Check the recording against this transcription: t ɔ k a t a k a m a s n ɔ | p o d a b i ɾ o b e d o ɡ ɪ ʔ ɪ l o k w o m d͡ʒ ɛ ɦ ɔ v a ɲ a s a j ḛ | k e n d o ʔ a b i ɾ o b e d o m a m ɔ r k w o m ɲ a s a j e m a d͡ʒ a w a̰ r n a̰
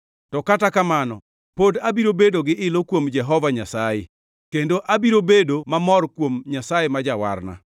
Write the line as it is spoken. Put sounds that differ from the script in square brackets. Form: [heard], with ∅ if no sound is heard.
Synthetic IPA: t ɔ k a t a k a m a [∅] n ɔ | p o d a b i ɾ o b e d o ɡ ɪ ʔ ɪ l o k w o m d͡ʒ ɛ ɦ ɔ v a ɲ a s a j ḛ | k e n d o ʔ a b i ɾ o b e d o m a m ɔ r k w o m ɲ a s a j e m a d͡ʒ a w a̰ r n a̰